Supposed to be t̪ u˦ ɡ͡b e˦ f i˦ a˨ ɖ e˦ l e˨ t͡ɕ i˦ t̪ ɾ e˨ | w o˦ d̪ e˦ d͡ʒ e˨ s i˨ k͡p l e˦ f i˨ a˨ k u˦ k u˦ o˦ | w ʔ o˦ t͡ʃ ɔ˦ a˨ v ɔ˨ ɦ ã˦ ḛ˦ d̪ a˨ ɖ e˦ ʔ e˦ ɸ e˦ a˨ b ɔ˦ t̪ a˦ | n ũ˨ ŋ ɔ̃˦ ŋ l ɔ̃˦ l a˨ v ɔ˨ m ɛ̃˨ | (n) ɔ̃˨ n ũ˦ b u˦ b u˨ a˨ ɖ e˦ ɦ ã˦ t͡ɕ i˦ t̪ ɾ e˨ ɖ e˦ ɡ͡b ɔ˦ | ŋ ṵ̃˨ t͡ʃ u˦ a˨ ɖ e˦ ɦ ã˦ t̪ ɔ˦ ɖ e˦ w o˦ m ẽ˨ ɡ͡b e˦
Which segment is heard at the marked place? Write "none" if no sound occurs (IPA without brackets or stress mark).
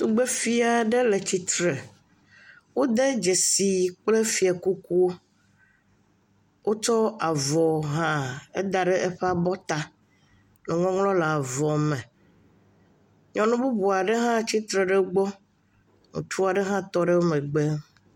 ɲ